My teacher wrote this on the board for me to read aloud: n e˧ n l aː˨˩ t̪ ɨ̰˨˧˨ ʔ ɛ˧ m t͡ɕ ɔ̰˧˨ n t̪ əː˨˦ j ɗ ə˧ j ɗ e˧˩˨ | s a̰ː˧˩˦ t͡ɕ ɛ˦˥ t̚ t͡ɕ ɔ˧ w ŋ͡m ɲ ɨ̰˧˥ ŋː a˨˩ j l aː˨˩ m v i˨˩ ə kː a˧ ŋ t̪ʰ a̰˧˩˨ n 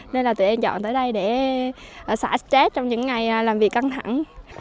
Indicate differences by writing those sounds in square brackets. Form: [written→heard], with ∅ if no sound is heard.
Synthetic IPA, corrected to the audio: n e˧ n l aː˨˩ t̪ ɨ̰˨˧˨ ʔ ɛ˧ m t͡ɕ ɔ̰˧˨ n t̪ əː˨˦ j ɗ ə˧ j ɗ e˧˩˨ | s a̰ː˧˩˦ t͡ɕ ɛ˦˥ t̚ t͡ɕ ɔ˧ w ŋ͡m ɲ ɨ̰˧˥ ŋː a˨˩ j l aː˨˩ m v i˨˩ ə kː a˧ ŋ t̪ʰ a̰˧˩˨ [n→ŋ]